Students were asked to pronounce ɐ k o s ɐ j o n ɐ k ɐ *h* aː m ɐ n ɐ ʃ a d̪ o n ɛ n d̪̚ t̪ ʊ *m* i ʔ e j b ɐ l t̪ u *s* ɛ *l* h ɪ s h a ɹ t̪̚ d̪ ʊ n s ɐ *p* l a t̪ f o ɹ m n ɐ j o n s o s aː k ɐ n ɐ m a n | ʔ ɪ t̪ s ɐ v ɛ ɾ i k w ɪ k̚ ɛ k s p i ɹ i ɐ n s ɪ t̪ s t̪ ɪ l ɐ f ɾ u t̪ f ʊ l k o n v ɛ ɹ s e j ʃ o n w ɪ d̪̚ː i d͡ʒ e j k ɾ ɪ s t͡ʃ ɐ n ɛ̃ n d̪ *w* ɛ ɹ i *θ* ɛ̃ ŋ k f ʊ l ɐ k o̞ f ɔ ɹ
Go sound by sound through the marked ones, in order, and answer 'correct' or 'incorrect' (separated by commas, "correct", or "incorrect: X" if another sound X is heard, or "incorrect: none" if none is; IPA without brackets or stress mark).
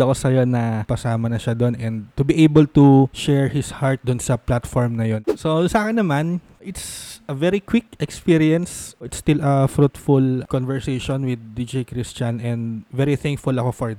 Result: incorrect: s, incorrect: b, incorrect: ʃ, incorrect: ɹ, correct, incorrect: v, correct